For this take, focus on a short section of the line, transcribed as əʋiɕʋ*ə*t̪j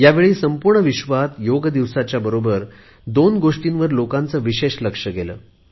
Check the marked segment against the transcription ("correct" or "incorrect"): incorrect